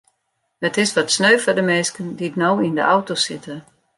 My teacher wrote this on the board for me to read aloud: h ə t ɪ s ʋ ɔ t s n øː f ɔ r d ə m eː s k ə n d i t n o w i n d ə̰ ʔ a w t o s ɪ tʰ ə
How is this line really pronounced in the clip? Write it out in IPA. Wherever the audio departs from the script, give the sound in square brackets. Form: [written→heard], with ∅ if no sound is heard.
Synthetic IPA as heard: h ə t ɪ s ʋ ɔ t s n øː f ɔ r d ə m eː s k ə n d i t n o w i n d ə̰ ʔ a w t o s ɪ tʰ ə